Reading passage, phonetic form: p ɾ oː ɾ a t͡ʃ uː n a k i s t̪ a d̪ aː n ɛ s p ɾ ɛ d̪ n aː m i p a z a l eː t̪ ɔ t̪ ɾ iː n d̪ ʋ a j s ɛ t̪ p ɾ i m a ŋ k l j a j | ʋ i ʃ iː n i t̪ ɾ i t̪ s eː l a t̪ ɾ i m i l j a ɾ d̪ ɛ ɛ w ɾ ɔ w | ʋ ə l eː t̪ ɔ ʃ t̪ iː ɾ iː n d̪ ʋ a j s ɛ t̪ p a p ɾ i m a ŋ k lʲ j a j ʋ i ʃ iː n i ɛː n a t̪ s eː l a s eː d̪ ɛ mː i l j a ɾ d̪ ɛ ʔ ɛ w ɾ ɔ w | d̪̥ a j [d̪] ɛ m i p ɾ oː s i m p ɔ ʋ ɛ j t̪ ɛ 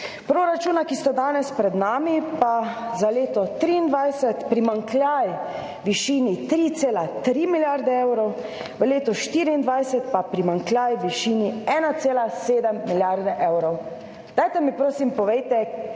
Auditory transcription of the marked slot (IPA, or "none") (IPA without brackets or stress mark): t̪